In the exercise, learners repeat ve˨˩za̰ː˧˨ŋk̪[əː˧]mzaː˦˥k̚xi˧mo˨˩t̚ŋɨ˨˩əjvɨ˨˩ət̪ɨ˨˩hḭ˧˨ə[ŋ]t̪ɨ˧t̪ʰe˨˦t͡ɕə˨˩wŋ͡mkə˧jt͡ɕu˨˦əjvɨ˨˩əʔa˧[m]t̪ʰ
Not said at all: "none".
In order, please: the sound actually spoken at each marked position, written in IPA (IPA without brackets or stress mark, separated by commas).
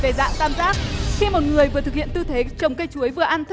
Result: aː˧, n, n